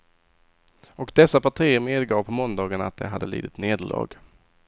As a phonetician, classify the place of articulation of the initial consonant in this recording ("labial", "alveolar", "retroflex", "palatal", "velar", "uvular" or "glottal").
velar